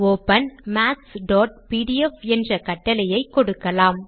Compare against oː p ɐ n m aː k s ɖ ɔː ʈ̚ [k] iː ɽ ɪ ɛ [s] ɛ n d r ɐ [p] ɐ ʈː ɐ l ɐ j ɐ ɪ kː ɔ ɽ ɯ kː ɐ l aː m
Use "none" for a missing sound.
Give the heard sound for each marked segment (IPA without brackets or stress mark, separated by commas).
p, f, k